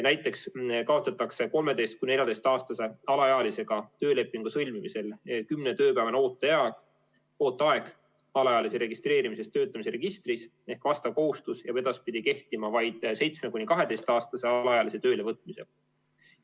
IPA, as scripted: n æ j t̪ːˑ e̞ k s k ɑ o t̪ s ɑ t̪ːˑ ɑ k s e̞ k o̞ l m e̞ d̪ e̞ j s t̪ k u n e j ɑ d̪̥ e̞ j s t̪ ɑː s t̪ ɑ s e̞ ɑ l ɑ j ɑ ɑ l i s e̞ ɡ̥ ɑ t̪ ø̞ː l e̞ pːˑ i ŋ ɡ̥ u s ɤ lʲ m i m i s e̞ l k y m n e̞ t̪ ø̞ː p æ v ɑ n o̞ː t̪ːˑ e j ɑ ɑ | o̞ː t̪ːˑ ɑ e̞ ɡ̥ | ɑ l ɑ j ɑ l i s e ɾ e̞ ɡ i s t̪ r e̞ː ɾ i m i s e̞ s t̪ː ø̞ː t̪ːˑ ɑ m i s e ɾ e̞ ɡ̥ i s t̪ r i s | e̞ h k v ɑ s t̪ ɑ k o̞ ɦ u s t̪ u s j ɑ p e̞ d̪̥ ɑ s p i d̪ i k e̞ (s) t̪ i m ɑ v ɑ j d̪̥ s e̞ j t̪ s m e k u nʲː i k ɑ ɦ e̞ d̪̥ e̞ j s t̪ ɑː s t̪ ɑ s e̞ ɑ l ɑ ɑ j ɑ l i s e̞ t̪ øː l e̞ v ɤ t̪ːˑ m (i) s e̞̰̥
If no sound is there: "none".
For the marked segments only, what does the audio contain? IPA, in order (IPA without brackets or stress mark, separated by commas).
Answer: h, i